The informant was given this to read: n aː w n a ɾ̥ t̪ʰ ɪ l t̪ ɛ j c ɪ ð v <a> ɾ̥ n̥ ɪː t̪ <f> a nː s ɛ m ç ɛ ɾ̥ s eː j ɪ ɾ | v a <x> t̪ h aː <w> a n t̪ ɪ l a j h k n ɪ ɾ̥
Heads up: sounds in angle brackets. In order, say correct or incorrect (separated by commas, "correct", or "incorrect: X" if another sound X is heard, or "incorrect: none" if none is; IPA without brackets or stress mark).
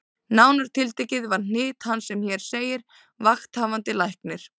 correct, incorrect: h, correct, incorrect: v